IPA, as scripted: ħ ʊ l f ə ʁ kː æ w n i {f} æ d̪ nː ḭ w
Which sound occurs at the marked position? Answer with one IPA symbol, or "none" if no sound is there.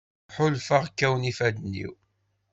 f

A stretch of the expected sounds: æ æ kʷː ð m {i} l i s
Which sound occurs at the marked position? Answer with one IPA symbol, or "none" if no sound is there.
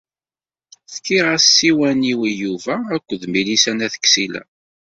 i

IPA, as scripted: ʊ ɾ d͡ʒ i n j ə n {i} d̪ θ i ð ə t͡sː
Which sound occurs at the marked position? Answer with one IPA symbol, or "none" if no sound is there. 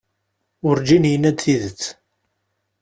æ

